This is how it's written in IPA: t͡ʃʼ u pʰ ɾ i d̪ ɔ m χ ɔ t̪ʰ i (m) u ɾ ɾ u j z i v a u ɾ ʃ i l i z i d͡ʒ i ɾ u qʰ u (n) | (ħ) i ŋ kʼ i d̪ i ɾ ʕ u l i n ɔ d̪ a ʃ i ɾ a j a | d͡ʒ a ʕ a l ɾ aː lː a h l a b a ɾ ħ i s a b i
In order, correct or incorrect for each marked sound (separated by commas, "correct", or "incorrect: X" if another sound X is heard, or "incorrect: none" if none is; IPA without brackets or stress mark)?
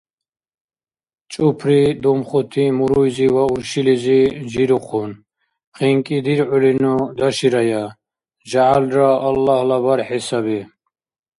correct, correct, incorrect: χ